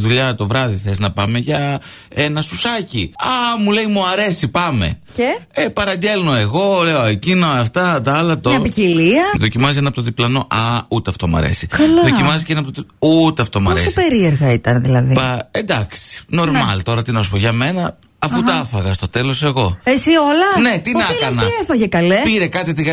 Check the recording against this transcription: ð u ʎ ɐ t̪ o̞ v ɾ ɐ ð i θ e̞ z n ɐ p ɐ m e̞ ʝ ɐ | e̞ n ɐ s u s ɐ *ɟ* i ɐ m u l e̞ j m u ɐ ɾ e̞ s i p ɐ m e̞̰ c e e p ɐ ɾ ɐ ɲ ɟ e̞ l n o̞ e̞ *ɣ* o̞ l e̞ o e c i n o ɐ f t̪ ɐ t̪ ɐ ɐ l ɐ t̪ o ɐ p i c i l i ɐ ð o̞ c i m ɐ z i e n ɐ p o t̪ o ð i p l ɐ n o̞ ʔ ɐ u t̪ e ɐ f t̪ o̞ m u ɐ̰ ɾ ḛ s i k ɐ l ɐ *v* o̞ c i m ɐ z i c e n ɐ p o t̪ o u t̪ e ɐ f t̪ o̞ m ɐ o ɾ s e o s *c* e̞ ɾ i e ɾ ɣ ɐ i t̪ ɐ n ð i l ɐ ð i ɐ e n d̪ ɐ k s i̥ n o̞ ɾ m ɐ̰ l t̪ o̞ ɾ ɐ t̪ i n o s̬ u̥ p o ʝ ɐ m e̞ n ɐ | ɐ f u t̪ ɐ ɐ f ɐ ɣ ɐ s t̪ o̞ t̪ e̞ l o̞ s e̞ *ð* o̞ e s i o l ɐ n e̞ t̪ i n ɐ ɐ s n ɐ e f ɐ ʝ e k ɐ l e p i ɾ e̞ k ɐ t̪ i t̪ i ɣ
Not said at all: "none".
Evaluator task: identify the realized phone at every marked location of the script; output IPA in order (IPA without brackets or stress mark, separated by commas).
c, ɣ, ð, p, ɣ